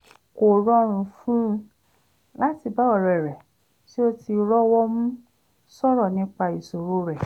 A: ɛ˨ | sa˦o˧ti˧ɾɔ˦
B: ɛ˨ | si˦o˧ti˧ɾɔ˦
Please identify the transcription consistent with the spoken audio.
B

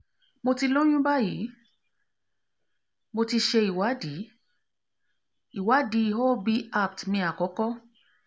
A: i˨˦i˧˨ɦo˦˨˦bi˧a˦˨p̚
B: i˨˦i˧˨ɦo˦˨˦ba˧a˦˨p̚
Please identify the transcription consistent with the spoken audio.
A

